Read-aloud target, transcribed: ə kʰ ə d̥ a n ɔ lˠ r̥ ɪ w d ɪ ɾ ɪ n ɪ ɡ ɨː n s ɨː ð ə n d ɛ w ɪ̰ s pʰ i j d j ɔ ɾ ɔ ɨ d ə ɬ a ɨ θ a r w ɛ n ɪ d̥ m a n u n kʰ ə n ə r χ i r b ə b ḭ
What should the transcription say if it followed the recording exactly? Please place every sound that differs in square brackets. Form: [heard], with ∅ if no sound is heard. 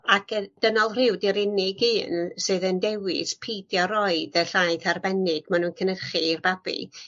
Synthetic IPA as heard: [a] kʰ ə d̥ [ə] n ɔ lˠ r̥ ɪ w d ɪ ɾ ɪ n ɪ ɡ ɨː n s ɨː ð ə n d ɛ w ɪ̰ s pʰ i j d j ɔ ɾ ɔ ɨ d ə ɬ a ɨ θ a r [b] ɛ n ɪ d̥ m a n u n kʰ ə n ə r χ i r b [a] b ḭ